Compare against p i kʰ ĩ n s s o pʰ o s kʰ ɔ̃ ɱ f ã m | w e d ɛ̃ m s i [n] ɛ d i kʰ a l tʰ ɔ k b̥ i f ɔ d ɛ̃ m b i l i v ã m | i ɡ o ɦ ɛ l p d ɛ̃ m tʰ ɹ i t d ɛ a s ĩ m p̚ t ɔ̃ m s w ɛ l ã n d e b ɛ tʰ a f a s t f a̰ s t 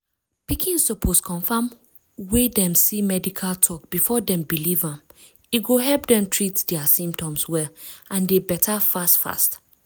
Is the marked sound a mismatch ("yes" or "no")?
yes